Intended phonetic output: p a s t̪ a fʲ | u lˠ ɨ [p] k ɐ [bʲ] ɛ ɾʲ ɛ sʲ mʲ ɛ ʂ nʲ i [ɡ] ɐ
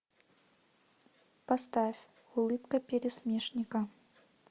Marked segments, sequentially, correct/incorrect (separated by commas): correct, incorrect, incorrect